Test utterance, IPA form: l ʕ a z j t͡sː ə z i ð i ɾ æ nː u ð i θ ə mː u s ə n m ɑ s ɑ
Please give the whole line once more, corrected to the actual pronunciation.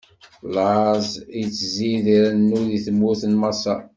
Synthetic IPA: l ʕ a z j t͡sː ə z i ð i ɾ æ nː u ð i θ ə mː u θ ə n m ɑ s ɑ